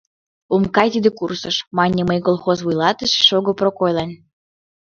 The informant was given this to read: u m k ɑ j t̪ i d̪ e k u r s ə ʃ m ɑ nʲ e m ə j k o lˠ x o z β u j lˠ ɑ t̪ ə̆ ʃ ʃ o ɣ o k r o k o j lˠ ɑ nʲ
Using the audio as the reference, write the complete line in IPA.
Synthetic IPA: u m k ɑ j t̪ i d̪ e k u r s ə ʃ m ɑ nʲ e m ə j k o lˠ x o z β u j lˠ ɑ t̪ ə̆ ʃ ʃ o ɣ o p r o k o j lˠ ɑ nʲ

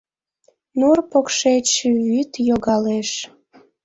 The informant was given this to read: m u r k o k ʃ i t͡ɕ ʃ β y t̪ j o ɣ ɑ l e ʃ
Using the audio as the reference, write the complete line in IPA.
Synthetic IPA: n u r p o k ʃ e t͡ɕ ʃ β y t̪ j o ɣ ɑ l e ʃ

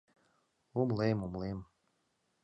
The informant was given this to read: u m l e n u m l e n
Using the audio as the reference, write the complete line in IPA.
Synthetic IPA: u m l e m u m l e m

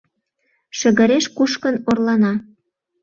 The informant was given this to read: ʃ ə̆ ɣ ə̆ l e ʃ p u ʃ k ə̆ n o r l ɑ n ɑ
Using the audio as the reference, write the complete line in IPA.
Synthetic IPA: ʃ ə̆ ɣ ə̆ ɾ e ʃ k u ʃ k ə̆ n o r l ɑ n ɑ

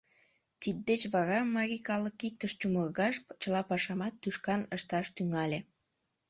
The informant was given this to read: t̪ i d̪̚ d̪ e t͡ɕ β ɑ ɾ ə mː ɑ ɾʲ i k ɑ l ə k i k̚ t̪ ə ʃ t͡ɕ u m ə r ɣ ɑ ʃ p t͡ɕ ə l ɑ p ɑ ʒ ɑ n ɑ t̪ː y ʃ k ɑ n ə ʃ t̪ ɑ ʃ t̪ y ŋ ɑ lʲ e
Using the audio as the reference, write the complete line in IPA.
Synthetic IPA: t̪ i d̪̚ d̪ e t͡ɕ β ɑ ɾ ɑ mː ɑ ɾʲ i k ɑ l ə k i k̚ t̪ ə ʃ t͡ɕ u m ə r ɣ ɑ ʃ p t͡ɕ ə l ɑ p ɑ ʃ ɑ m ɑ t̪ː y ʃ k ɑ n ə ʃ t̪ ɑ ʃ t̪ y ŋ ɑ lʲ e

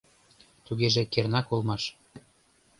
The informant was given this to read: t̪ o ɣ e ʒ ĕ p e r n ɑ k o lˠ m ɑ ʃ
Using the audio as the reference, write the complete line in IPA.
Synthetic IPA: t̪ u ɣ e ʒ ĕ k e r n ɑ k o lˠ m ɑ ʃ

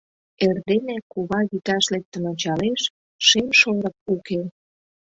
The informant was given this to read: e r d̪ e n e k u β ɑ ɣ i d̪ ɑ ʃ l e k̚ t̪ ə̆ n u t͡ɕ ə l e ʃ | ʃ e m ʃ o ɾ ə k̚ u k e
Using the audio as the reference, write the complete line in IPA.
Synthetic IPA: e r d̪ e n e k u β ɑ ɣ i t̪ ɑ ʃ l e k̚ t̪ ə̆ n o t͡ɕ ɑ l e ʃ | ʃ e m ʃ o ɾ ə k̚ u k e

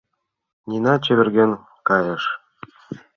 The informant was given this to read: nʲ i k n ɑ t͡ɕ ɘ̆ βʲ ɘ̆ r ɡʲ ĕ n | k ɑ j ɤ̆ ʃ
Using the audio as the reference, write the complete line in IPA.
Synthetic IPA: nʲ i n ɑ t͡ɕ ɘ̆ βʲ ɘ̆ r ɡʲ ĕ n | k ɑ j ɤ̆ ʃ

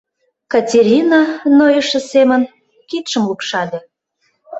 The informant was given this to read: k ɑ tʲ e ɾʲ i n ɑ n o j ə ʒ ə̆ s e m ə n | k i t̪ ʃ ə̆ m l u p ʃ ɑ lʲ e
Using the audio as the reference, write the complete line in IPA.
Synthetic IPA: k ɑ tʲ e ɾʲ i n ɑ n o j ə ʃ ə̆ s e m ə n | k i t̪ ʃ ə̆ m l u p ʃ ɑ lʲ e

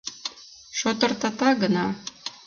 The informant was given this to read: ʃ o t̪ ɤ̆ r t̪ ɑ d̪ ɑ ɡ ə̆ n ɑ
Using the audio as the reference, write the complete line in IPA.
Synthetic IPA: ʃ o t̪ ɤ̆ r t̪ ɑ t̪ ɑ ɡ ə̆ n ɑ

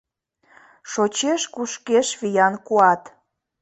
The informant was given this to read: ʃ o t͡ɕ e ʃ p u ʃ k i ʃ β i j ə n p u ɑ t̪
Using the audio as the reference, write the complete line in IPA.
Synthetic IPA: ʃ o t͡ɕ e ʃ k u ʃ k e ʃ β i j ɑ n k u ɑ t̪

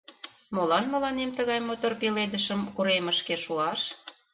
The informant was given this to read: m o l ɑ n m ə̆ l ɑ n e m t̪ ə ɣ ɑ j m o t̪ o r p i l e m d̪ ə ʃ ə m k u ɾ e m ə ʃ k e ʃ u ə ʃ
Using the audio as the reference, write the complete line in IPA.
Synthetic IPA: m o l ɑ n m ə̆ l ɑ n e m t̪ ə ɣ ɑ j m o t̪ o r p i l e d̪ ə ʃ ə m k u ɾ e m ə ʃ k e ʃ u ɑ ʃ

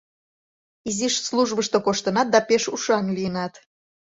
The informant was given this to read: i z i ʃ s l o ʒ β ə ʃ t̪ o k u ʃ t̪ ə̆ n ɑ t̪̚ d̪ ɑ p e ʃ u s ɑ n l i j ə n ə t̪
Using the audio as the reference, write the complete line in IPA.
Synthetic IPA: i z i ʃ s l u ʒ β ə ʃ t̪ o k o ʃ t̪ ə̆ n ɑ t̪̚ d̪ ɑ p e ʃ u ʃ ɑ n l i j ə n ɑ t̪

